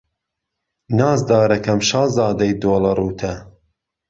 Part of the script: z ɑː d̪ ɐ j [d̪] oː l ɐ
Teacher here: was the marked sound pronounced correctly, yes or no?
yes